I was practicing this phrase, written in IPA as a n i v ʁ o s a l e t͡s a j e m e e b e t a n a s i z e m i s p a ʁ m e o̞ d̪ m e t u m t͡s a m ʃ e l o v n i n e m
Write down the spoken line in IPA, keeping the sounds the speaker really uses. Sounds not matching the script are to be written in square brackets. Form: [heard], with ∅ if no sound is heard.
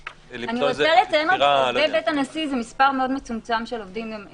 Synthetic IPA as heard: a n i [ʁ] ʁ o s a l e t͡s a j e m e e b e t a n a s i z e m i s p a ʁ m e o̞ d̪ m e [t͡s] u m t͡s a m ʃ e l o v [d] i [m] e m